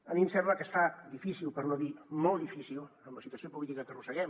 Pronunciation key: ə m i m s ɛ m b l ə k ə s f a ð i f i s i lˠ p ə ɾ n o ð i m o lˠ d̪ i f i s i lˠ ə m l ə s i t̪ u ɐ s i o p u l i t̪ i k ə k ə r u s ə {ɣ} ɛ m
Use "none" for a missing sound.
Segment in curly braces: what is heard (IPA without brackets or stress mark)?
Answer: ɣ